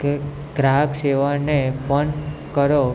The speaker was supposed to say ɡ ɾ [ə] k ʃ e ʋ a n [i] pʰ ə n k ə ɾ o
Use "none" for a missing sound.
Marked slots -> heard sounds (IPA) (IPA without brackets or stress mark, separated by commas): a, e